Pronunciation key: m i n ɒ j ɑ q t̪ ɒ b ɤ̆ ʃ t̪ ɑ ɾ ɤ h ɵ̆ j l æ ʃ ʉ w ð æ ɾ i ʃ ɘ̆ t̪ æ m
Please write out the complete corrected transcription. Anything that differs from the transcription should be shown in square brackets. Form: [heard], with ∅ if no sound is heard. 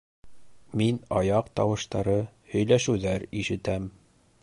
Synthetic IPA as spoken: m i n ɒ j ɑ q t̪ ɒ [w] ɤ̆ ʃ t̪ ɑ ɾ ɤ h ɵ̆ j l æ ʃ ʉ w ð æ ɾ i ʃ ɘ̆ t̪ æ m